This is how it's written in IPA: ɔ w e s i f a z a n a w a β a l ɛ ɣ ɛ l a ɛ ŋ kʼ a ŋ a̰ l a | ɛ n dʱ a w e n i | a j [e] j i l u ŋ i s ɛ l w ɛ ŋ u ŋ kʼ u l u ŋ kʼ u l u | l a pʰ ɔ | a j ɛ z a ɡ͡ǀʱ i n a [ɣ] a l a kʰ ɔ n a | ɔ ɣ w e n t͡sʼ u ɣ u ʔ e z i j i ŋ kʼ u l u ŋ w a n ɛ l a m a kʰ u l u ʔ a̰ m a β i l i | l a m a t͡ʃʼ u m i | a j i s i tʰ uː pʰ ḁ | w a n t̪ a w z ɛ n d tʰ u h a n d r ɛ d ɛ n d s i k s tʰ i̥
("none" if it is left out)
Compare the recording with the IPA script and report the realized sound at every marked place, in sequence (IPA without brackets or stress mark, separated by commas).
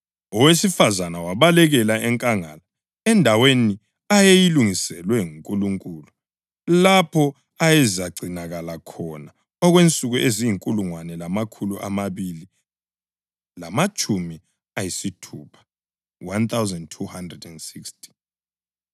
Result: e, ɣ